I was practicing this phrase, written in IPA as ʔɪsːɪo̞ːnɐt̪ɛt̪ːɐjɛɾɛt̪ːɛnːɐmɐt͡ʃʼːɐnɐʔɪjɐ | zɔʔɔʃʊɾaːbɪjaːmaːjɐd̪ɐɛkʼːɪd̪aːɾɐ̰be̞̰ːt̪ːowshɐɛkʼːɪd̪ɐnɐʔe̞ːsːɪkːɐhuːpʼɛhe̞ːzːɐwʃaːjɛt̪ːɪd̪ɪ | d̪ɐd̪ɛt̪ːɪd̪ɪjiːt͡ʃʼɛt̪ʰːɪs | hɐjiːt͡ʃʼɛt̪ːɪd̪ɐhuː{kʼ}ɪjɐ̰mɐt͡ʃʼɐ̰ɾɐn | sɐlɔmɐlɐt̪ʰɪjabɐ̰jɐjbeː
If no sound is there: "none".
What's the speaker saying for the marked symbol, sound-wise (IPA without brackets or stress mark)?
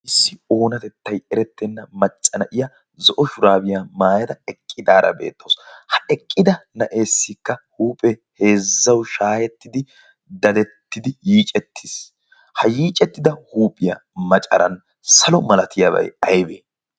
pʼ